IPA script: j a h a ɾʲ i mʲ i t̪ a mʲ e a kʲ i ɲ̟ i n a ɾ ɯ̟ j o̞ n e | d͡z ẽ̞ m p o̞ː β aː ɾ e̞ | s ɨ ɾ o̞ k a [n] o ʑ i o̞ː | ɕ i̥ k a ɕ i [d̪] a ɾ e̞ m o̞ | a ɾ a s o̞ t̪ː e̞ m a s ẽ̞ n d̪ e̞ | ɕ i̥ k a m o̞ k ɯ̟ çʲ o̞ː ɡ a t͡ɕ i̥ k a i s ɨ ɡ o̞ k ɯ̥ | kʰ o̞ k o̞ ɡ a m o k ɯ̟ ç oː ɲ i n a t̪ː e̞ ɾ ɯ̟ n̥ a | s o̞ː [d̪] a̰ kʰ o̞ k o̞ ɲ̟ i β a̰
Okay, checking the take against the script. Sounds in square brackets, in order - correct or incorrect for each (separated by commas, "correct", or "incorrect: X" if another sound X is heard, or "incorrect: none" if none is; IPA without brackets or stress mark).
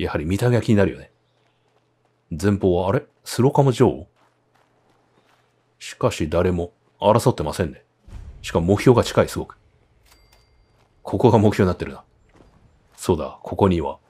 incorrect: m, correct, correct